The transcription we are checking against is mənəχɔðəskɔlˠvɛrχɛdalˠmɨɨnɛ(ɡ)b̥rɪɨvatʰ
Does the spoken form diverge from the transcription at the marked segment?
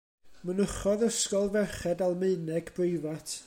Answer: no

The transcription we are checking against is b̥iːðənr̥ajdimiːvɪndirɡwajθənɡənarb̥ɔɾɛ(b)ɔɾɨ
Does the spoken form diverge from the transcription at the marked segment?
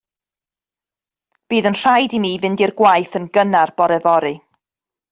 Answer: yes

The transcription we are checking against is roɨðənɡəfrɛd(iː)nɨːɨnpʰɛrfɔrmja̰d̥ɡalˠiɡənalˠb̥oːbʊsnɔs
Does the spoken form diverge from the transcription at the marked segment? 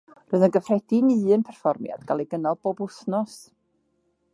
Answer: yes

